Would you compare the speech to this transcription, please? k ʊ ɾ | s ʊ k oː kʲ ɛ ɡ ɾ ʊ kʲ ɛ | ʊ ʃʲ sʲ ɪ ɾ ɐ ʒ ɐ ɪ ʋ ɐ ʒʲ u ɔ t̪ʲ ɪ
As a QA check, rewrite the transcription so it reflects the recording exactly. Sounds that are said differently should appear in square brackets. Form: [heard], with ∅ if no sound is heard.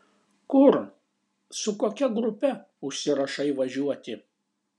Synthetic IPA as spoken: k ʊ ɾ | s ʊ k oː kʲ ɛ ɡ ɾ ʊ [pʲ] ɛ | ʊ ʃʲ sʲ ɪ ɾ ɐ [ʃ] ɐ ɪ ʋ ɐ ʒʲ u ɔ t̪ʲ ɪ